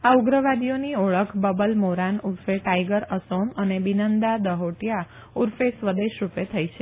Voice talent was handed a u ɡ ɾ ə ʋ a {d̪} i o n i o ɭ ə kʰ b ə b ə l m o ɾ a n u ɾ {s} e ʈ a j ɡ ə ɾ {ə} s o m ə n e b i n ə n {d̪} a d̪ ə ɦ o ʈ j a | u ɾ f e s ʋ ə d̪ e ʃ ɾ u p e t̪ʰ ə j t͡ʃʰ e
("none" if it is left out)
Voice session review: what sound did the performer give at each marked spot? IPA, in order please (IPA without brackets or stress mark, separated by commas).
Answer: d̪, f, ə, d̪